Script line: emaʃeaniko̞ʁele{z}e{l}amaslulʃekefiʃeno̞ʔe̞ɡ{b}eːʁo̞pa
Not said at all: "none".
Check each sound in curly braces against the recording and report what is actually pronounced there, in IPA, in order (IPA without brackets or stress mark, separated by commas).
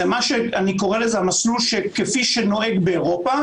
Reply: z, none, b